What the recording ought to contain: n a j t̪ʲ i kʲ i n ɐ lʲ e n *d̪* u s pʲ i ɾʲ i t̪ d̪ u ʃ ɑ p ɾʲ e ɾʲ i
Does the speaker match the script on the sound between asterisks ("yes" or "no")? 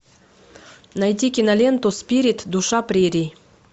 no